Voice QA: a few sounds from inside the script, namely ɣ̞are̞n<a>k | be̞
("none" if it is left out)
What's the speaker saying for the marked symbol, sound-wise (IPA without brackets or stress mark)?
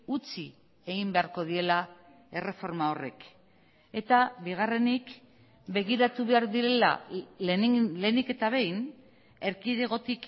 i